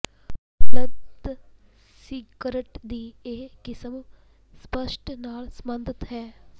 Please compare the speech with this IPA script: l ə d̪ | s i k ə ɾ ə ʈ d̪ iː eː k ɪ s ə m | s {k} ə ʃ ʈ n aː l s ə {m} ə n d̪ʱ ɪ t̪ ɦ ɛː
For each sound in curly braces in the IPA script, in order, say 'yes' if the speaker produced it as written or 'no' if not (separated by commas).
no, yes